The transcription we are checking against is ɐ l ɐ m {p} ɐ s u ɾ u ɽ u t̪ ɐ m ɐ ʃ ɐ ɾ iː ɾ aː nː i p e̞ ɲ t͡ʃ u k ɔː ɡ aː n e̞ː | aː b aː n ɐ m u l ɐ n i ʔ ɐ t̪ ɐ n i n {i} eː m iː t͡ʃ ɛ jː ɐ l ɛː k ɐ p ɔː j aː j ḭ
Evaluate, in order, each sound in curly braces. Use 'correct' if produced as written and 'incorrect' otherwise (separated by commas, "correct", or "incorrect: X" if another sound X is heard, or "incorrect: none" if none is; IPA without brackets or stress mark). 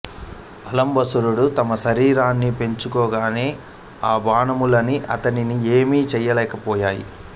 incorrect: b, correct